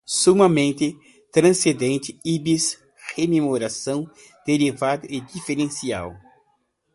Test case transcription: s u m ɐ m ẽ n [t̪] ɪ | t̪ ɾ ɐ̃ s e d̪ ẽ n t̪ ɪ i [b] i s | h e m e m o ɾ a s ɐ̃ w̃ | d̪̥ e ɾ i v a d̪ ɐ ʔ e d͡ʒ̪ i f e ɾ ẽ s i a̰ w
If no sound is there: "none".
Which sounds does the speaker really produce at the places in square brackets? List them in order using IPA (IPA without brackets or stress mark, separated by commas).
t̪, b